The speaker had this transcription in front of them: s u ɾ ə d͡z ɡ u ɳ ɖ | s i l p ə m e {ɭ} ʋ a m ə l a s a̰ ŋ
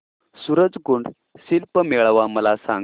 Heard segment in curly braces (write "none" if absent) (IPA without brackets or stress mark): ɭ